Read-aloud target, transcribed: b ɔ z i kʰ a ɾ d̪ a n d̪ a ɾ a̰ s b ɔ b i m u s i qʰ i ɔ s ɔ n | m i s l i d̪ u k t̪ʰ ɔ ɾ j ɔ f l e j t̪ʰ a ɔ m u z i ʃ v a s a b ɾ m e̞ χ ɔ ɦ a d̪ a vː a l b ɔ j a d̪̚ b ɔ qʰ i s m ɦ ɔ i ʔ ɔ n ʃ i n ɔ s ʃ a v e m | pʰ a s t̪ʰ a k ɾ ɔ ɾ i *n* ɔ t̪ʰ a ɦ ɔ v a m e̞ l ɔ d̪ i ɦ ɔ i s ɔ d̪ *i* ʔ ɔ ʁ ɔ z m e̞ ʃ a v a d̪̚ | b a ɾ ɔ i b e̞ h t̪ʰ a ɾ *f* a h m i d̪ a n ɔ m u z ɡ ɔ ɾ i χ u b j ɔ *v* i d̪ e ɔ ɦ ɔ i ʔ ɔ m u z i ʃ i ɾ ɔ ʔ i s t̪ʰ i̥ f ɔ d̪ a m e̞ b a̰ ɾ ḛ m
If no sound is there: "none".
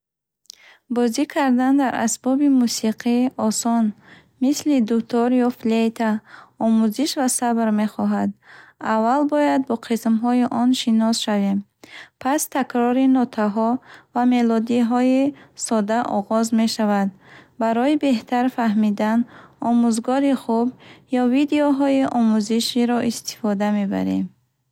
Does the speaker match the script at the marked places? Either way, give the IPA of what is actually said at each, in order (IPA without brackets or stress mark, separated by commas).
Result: n, a, f, v